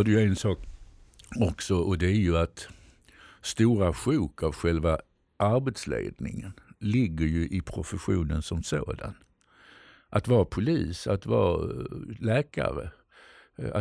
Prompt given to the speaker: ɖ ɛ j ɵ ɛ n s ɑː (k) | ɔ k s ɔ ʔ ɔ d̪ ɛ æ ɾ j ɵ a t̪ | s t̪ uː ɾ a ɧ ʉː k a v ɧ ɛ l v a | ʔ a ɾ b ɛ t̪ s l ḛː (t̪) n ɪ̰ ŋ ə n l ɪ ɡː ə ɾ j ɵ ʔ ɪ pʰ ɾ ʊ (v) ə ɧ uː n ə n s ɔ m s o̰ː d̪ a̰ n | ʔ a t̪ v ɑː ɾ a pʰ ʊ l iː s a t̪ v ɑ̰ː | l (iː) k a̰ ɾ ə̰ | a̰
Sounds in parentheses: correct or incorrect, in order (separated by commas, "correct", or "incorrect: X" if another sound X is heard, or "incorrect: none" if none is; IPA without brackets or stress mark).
correct, incorrect: d̪, incorrect: f, incorrect: ɛː